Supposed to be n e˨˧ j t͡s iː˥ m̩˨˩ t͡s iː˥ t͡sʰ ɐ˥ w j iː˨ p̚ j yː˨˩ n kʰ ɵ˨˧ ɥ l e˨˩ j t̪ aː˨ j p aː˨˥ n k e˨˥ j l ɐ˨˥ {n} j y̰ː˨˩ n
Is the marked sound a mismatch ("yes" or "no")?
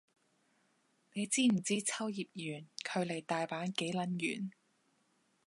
no